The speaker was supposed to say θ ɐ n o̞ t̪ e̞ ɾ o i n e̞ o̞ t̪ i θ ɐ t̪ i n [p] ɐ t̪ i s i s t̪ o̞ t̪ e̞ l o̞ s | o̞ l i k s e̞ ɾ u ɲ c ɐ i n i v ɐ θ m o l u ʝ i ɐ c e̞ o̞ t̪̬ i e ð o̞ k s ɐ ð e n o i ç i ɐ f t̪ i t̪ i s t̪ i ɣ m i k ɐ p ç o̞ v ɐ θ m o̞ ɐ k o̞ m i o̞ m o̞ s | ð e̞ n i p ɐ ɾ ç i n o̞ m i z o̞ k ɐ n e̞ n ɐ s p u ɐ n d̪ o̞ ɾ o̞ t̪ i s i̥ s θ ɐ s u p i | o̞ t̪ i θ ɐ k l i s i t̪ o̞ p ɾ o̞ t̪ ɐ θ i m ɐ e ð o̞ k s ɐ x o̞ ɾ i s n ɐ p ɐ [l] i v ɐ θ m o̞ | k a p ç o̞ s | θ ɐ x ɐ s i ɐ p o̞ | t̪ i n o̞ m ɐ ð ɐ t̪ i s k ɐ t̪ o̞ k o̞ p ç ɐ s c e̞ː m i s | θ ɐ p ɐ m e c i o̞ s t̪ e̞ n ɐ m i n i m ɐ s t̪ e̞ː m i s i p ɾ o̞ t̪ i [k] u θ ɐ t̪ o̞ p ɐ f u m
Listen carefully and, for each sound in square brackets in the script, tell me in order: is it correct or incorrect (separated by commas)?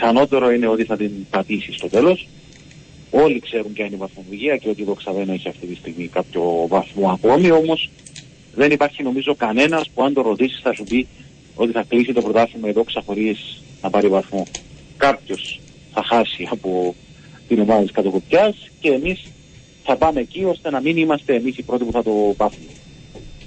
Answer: correct, incorrect, incorrect